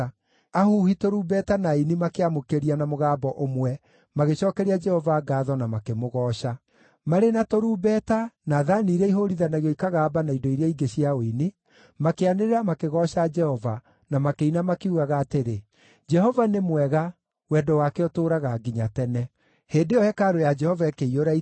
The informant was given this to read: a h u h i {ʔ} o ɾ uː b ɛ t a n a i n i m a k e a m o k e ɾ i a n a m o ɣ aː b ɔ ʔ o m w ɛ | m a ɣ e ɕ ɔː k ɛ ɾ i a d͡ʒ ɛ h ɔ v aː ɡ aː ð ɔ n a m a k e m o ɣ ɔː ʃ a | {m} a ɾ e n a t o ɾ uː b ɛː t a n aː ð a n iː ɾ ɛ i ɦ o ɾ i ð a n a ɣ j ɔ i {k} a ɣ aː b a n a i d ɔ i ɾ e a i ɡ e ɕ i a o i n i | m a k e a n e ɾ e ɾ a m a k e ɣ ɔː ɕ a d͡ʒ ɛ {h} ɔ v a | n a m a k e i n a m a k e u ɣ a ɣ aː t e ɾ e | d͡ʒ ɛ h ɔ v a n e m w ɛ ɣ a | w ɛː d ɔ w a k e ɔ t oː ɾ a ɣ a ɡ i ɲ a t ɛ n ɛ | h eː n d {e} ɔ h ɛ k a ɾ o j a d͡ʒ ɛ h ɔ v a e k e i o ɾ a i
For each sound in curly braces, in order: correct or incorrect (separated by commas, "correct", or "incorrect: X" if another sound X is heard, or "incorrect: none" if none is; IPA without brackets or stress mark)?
incorrect: t, correct, correct, correct, correct